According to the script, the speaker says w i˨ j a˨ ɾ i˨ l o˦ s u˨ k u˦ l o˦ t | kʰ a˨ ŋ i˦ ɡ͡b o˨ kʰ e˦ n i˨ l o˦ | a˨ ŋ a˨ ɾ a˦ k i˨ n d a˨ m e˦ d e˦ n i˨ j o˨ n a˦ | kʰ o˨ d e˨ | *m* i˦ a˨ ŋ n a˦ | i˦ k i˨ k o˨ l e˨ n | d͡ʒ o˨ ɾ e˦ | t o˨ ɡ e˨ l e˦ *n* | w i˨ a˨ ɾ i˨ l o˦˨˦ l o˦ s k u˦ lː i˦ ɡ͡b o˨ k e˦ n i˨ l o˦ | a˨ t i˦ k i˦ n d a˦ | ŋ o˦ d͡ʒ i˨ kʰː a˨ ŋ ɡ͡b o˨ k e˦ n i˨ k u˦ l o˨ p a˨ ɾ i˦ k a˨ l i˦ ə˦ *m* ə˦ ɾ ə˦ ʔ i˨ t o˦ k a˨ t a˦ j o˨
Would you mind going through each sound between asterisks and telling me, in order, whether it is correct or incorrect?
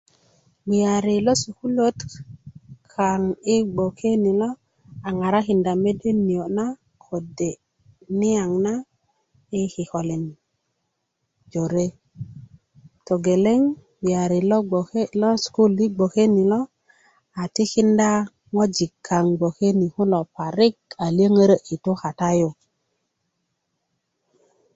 incorrect, incorrect, incorrect

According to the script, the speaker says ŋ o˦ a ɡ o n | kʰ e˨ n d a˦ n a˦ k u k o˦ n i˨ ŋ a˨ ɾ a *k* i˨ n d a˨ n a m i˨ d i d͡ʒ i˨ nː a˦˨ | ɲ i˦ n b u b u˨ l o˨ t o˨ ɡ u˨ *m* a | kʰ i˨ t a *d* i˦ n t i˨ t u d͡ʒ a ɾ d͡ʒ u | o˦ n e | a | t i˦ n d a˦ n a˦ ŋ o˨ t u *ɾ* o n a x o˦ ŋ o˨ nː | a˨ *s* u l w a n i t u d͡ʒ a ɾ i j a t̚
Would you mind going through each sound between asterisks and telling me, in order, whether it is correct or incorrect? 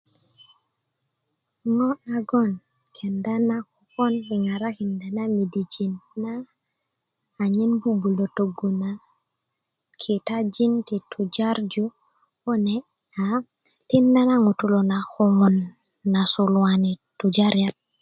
correct, incorrect, incorrect, incorrect, correct

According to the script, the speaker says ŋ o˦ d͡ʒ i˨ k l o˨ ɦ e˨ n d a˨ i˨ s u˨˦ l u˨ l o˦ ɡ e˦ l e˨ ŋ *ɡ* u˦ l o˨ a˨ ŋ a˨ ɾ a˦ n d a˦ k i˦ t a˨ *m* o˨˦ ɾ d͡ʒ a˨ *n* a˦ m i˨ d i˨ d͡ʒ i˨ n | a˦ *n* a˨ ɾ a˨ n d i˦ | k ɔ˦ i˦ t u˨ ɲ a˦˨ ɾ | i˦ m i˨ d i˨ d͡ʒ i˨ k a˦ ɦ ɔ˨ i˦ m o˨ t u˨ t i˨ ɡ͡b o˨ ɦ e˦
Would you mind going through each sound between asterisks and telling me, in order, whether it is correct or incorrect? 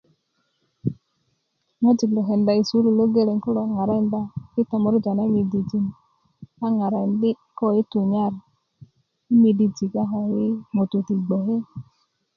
incorrect, correct, correct, incorrect

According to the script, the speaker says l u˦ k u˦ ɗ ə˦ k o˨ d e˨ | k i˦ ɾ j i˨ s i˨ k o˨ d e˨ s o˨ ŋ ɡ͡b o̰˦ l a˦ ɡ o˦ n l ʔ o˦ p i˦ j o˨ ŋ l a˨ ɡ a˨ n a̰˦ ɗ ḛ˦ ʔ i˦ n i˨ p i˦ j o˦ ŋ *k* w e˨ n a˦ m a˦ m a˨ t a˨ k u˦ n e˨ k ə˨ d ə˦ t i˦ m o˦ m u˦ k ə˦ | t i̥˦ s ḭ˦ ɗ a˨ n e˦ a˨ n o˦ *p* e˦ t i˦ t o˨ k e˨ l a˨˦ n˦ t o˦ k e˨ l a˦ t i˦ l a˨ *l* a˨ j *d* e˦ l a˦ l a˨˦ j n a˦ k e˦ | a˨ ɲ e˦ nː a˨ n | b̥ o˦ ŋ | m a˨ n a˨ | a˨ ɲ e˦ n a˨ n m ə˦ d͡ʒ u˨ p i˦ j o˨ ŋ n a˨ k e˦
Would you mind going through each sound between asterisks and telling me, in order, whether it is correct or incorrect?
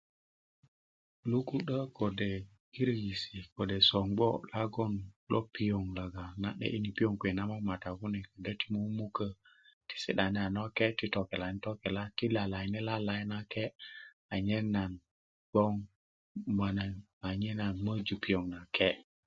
correct, incorrect, correct, incorrect

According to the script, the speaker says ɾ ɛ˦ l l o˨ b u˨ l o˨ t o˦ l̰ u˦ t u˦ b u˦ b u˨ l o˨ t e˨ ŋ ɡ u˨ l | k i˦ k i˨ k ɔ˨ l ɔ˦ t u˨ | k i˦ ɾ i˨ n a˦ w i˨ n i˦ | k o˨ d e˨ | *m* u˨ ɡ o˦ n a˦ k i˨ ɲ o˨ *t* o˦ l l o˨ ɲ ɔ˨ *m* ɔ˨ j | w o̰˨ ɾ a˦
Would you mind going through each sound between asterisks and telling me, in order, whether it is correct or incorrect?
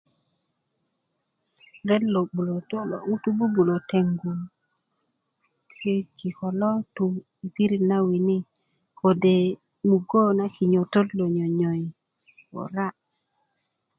correct, correct, incorrect

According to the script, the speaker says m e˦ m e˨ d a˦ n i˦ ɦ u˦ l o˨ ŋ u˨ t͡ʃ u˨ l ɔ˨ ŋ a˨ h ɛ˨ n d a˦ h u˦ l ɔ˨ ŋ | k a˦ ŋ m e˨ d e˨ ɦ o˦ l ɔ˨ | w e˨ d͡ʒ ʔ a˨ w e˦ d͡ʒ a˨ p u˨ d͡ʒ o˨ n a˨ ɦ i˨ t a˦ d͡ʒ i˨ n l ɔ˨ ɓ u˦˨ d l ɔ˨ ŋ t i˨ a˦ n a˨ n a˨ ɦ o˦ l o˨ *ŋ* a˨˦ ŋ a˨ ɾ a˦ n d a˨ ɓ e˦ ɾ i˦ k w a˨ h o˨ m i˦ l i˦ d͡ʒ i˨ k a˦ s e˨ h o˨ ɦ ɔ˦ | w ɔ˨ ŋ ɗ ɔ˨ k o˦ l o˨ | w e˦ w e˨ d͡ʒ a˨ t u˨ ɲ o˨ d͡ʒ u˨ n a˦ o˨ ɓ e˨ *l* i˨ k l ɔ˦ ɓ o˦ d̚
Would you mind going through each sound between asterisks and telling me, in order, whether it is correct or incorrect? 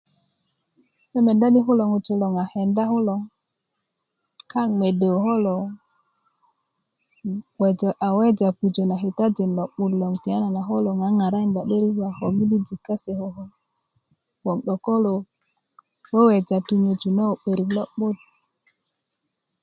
correct, incorrect

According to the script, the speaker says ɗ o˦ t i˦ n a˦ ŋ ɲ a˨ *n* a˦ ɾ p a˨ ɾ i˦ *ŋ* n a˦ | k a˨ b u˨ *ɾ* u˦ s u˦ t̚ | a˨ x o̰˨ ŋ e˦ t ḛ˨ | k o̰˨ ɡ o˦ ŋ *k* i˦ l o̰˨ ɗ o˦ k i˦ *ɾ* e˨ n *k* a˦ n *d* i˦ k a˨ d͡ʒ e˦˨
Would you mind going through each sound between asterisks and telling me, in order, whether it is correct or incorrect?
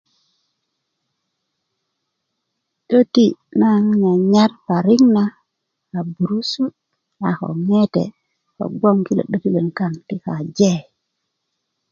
incorrect, correct, correct, correct, incorrect, correct, incorrect

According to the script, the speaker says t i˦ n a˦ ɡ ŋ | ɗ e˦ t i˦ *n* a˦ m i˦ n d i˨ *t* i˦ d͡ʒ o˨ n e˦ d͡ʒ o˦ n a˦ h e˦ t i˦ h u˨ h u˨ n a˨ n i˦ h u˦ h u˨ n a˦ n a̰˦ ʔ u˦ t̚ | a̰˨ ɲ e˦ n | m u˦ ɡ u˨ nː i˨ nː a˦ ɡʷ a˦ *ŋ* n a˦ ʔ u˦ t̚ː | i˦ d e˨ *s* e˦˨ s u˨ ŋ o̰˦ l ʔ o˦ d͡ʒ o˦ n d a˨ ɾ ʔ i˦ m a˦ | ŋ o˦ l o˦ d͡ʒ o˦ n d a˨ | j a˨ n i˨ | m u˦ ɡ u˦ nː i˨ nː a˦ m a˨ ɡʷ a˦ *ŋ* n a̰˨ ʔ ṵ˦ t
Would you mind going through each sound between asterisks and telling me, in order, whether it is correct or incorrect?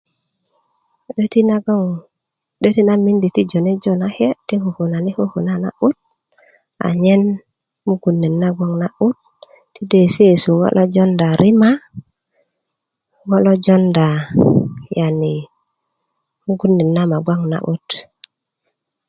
correct, correct, correct, correct, correct

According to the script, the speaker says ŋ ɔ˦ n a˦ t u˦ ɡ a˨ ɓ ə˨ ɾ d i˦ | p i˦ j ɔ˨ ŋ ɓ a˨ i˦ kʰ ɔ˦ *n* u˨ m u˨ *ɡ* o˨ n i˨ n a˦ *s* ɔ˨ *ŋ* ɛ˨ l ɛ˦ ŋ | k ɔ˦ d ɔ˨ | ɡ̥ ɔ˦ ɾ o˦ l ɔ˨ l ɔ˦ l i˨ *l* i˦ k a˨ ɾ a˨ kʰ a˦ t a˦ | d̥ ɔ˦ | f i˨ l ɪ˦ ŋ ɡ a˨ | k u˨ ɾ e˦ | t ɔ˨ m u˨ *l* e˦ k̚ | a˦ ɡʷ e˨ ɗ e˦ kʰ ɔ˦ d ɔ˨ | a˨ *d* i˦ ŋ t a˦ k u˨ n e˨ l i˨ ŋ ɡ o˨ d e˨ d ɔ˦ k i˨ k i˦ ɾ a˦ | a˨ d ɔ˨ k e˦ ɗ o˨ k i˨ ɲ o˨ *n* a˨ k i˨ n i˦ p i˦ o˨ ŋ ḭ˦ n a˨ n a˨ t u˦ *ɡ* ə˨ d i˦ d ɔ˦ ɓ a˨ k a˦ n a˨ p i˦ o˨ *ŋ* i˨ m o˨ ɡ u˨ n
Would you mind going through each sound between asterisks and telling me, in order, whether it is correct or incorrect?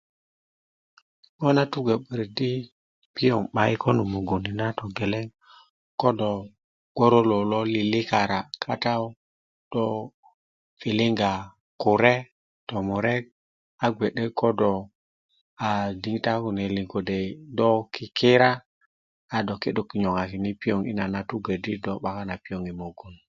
correct, correct, incorrect, incorrect, correct, incorrect, correct, incorrect, correct, correct

